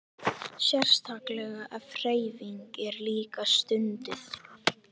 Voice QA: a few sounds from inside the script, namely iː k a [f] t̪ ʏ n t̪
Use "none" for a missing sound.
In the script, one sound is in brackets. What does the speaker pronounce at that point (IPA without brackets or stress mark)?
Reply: s